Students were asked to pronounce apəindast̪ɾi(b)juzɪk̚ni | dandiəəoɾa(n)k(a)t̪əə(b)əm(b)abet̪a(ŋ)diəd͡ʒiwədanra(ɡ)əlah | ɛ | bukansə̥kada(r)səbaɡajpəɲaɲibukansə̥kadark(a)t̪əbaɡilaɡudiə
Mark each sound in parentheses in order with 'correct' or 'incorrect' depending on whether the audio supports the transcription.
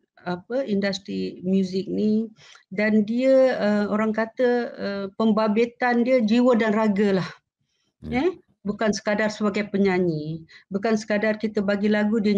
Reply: incorrect, incorrect, correct, incorrect, correct, incorrect, correct, correct, incorrect

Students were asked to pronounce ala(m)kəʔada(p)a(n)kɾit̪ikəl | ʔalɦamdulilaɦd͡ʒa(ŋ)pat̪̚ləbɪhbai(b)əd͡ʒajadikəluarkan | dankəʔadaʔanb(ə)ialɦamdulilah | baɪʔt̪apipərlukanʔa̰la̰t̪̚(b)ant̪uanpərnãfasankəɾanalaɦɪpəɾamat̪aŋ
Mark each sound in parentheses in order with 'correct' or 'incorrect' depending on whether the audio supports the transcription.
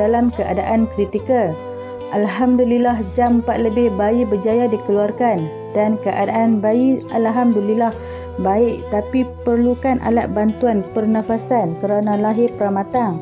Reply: correct, incorrect, correct, incorrect, correct, incorrect, correct

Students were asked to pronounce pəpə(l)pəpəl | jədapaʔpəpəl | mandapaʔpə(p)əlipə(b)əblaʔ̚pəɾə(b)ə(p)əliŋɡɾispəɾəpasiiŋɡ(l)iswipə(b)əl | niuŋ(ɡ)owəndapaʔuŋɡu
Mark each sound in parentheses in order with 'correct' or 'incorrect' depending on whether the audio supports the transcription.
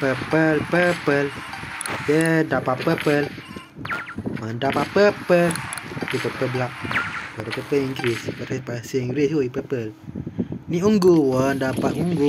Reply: correct, correct, incorrect, incorrect, correct, incorrect, incorrect, correct

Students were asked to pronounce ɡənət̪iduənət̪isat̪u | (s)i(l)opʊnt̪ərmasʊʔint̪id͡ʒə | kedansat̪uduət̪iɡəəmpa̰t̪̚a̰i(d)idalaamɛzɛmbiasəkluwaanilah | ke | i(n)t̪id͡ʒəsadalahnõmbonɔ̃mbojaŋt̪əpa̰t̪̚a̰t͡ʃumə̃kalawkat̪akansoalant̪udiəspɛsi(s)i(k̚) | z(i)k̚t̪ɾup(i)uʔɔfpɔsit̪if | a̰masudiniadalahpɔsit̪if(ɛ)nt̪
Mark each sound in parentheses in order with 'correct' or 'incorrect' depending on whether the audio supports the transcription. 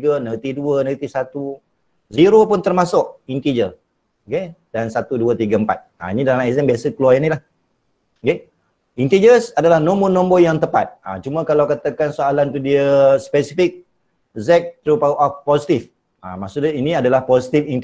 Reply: incorrect, incorrect, incorrect, correct, incorrect, correct, incorrect, incorrect, incorrect

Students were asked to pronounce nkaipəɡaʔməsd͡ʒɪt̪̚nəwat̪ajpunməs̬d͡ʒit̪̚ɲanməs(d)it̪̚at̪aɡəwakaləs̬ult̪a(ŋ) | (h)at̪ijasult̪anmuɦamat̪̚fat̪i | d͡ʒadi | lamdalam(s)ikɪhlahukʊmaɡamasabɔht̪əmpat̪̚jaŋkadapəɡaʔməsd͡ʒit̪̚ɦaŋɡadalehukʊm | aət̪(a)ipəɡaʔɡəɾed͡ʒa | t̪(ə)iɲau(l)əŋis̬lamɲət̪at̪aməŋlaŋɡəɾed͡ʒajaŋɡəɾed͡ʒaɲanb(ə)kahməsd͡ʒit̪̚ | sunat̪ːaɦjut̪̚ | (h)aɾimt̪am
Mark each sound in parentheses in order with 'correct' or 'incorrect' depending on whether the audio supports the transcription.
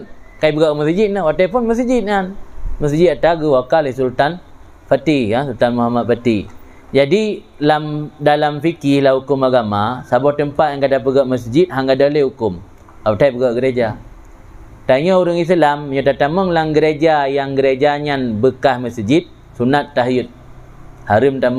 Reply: incorrect, incorrect, incorrect, incorrect, correct, incorrect, incorrect, correct, correct

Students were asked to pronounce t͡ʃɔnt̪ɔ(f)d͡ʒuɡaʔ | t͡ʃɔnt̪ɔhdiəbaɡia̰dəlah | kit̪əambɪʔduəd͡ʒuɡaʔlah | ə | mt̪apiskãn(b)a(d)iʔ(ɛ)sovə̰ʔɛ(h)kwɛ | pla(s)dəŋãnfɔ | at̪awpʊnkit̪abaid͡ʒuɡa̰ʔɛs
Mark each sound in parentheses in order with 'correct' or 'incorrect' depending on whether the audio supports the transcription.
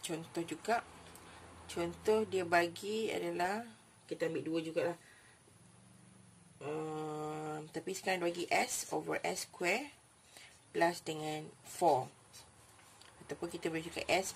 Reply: incorrect, correct, incorrect, correct, incorrect, correct

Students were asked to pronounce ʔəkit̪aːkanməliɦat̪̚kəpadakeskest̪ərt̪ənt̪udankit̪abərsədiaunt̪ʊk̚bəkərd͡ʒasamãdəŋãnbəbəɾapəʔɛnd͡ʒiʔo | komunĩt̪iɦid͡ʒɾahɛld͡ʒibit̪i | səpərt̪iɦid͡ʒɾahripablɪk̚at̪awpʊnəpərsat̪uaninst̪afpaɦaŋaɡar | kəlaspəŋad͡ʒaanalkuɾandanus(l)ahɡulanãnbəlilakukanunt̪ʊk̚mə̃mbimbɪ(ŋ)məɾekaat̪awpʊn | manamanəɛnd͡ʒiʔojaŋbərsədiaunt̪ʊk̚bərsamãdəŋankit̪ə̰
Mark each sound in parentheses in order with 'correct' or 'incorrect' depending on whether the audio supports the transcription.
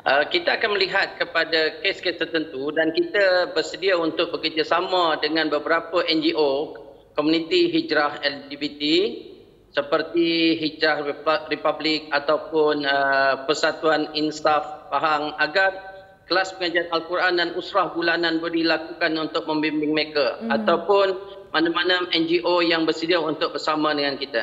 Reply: incorrect, correct

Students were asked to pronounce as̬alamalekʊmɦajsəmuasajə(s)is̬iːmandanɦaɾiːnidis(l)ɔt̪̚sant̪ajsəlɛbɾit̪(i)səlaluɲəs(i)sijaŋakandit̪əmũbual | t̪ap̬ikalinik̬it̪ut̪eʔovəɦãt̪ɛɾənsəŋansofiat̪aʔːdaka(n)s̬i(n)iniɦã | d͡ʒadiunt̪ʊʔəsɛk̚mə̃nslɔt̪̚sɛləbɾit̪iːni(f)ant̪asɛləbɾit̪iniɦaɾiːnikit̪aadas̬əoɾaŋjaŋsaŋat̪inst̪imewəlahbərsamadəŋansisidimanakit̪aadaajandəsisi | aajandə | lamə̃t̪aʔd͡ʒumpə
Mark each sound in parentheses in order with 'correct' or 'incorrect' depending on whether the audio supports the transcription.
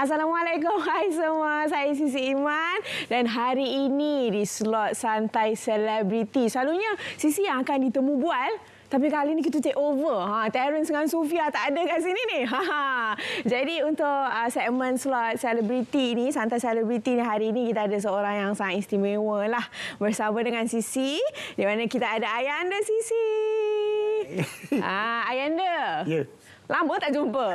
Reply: correct, correct, correct, correct, correct, correct, incorrect

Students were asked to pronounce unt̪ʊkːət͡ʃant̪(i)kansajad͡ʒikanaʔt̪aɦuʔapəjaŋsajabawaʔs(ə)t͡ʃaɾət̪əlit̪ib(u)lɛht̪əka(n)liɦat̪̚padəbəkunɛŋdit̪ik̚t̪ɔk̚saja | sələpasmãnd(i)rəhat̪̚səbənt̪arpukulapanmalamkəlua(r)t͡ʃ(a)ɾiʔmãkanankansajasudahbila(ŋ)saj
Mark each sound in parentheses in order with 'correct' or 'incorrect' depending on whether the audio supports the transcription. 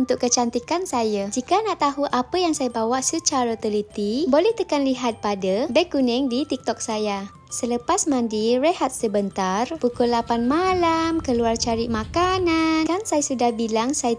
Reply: correct, correct, incorrect, correct, correct, correct, correct, correct

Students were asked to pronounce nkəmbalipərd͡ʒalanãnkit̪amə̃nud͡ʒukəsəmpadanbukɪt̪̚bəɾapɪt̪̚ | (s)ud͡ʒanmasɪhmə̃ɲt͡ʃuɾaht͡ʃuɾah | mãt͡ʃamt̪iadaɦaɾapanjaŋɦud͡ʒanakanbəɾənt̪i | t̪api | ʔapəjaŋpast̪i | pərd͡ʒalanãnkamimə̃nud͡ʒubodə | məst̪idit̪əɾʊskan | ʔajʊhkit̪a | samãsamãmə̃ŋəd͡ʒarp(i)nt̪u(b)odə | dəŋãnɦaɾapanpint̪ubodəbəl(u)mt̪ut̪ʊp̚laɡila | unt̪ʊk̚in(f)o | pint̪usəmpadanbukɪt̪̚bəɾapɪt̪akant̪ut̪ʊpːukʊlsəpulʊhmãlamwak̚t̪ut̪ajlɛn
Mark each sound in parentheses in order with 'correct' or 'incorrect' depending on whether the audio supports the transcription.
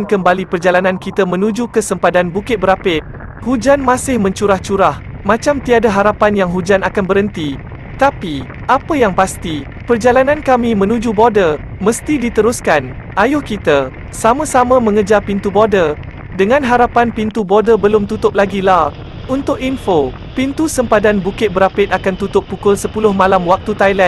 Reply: incorrect, correct, correct, incorrect, correct

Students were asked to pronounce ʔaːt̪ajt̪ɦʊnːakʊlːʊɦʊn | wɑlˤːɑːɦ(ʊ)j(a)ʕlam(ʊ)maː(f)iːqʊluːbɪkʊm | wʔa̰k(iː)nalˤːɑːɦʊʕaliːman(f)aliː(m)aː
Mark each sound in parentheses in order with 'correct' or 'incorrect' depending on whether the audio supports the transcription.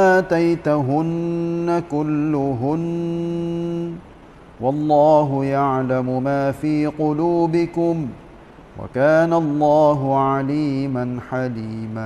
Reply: correct, correct, correct, correct, incorrect, incorrect, correct

